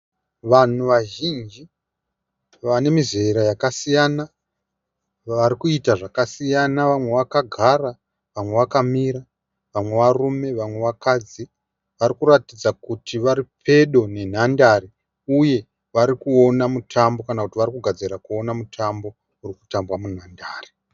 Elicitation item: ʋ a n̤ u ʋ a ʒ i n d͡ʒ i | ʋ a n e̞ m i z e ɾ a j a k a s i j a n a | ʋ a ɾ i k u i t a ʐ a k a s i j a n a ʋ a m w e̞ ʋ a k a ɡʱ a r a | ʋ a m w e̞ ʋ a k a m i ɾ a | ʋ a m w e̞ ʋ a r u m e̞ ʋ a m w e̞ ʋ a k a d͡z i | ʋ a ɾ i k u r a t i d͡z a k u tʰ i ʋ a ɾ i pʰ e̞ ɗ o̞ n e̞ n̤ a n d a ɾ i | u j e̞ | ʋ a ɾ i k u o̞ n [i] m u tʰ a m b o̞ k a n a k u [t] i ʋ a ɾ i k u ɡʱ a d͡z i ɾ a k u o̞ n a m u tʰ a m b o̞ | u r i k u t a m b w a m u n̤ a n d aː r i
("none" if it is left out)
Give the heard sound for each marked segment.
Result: a, t

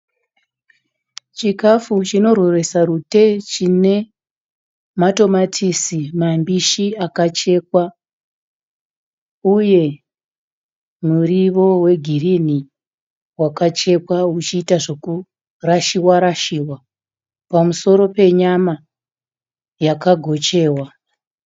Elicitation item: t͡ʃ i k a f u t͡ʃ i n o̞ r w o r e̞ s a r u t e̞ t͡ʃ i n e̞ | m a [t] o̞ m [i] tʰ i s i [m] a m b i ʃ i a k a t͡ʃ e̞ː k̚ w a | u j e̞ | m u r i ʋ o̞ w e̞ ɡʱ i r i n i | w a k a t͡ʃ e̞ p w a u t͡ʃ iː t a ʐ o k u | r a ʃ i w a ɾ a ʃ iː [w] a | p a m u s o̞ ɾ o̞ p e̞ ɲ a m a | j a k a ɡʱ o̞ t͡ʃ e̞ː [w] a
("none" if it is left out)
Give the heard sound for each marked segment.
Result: t, a, m, w, w

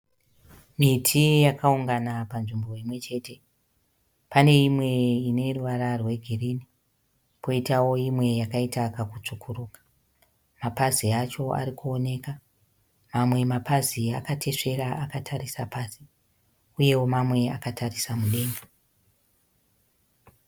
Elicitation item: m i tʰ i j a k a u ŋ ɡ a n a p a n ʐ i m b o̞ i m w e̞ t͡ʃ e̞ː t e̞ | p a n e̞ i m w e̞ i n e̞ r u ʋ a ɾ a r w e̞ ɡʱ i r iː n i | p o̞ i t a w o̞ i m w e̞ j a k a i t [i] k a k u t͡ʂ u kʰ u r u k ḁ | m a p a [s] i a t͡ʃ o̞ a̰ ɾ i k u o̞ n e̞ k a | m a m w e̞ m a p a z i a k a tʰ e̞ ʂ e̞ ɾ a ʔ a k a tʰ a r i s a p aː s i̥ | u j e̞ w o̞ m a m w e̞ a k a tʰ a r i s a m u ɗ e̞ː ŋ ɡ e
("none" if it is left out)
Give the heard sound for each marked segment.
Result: a, z

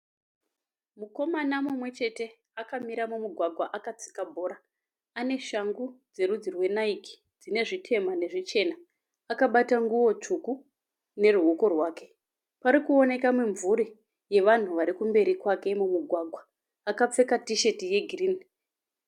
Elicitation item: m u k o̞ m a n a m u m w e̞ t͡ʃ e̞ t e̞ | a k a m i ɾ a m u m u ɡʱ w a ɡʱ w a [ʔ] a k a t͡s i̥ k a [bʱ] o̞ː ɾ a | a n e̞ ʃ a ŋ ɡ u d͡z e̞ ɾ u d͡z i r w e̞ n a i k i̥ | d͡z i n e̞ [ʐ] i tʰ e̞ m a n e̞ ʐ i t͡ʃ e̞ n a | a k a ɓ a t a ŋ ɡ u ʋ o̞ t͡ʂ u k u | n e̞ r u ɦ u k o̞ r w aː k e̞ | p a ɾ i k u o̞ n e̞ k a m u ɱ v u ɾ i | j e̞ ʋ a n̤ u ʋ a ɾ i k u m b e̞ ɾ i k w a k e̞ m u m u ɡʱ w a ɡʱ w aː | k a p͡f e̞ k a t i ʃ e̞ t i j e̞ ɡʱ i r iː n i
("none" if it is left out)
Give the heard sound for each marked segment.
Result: ʔ, bʱ, ʐ

